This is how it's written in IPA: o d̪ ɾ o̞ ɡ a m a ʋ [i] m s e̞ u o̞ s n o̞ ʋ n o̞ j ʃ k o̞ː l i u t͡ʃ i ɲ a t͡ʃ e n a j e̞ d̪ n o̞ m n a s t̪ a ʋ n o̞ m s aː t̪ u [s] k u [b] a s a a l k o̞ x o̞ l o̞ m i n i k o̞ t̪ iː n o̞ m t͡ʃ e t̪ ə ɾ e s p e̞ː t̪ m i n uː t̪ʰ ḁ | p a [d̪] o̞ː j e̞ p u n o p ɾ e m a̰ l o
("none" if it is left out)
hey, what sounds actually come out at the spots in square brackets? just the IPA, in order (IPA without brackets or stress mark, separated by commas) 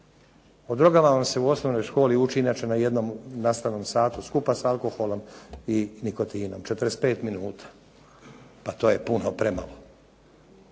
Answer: a, s, p, t̪